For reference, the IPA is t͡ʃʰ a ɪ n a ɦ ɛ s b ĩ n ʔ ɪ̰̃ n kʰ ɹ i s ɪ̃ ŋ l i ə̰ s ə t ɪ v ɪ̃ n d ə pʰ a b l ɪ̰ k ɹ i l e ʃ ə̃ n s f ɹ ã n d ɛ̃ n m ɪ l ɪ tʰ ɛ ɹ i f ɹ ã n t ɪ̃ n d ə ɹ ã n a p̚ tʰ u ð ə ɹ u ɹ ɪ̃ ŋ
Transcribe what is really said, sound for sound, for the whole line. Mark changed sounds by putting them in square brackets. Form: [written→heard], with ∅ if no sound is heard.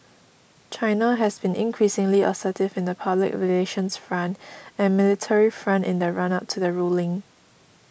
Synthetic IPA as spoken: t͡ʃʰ a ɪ n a ɦ ɛ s b ĩ n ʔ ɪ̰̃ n kʰ ɹ i s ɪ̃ ŋ l i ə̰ s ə t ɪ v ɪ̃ n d ə pʰ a b l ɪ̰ k ɹ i l e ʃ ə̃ n s f ɹ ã n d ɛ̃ n m ɪ l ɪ tʰ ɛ ɹ i f ɹ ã n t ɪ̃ n d ə ɹ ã n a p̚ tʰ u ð ə ɹ u [ɹ→l] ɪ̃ ŋ